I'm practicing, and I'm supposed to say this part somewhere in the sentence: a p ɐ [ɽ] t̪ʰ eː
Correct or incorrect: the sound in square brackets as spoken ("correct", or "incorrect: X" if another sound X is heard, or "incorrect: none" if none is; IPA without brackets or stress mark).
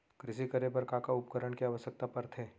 incorrect: ɾ